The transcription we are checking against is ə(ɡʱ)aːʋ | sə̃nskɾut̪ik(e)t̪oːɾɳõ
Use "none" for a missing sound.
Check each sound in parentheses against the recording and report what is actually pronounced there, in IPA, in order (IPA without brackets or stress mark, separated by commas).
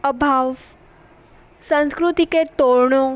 bʱ, e